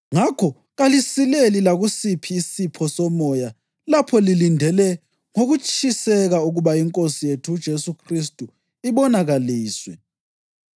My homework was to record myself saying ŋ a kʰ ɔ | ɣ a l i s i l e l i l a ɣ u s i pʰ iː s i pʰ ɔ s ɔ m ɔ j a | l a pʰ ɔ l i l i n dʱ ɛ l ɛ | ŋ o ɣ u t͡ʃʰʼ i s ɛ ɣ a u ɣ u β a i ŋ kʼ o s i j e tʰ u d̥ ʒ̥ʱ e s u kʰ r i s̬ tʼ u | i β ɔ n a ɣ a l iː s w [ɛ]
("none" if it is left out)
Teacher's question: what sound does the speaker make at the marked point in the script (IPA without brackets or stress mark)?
ɛ